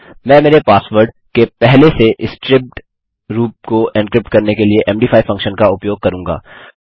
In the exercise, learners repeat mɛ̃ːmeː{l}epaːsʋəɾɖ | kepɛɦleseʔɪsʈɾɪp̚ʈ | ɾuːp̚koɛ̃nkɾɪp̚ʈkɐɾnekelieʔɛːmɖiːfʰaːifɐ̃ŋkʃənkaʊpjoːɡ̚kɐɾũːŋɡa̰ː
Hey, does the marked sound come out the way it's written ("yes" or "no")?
no